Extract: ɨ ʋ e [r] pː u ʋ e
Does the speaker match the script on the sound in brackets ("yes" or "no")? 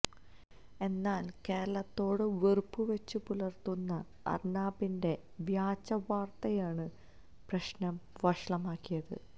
yes